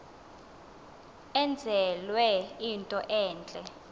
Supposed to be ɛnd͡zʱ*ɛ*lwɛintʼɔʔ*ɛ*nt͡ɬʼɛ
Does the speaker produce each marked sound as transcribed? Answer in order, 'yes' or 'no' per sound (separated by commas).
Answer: yes, no